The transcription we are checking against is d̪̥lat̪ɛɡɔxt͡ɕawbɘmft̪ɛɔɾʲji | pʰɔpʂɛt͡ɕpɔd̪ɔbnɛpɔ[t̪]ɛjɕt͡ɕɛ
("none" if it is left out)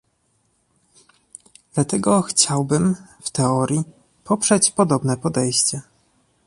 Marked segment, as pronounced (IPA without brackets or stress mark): d̪